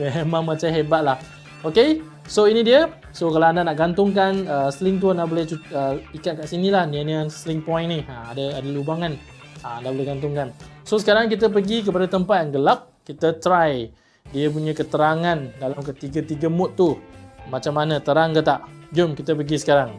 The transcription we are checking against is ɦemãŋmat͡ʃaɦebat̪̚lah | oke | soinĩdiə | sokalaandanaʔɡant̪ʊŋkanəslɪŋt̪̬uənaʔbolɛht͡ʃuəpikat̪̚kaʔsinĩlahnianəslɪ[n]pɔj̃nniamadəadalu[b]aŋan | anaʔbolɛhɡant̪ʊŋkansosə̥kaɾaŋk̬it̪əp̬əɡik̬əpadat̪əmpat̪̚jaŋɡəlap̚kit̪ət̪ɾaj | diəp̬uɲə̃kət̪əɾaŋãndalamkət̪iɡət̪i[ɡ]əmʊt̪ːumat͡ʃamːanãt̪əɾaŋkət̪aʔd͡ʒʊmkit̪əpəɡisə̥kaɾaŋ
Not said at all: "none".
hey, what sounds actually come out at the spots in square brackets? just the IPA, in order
ŋ, b, ɡ

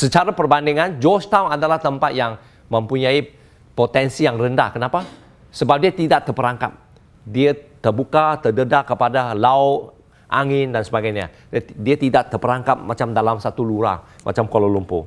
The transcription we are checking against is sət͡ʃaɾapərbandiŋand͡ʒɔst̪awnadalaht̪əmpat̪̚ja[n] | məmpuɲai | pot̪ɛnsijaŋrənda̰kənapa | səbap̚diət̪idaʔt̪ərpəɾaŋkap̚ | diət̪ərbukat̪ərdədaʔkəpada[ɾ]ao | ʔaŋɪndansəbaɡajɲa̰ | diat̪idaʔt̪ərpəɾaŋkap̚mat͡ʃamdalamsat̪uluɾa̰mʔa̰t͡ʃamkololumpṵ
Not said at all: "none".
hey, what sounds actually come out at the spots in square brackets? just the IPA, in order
ŋ, l

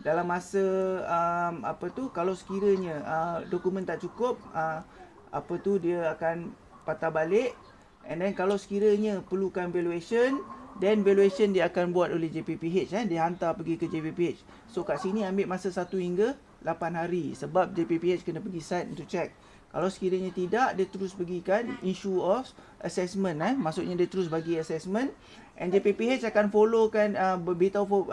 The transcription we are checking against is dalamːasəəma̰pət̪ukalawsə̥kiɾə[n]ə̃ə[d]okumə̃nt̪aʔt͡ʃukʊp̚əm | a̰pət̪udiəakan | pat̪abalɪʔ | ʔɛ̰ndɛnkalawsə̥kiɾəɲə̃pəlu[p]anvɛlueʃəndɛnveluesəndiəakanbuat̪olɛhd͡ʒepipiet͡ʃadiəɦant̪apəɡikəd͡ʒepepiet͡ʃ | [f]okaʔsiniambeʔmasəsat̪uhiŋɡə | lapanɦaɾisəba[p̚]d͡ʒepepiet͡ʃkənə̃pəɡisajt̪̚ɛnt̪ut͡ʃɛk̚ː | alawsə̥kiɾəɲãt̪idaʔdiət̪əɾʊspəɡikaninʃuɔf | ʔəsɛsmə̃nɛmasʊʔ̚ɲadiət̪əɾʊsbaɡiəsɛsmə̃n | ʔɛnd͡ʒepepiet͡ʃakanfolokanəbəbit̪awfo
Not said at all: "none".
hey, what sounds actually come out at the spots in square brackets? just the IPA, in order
ɲ, d, k, s, p̚

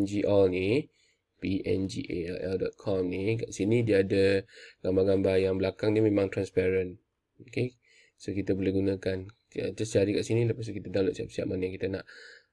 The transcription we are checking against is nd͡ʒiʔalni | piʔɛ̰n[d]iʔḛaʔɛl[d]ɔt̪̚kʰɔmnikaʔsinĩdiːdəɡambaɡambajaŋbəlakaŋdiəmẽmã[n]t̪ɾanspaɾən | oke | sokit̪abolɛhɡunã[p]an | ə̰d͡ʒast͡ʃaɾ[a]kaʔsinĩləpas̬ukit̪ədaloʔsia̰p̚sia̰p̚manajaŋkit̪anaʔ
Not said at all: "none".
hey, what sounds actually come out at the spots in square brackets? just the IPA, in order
d͡ʒ, d, ŋ, k, i

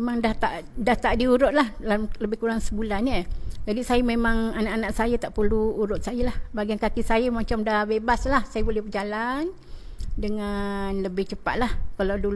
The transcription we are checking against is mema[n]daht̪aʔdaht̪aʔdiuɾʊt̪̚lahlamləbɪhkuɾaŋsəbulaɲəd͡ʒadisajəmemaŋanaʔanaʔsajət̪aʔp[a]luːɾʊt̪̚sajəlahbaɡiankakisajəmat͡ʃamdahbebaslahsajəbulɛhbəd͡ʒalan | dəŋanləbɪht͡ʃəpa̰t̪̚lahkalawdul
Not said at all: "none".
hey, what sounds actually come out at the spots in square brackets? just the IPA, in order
ŋ, ə

